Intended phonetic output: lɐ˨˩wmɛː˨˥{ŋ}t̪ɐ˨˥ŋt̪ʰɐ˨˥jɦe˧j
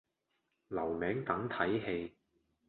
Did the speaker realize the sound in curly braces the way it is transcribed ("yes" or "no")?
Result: yes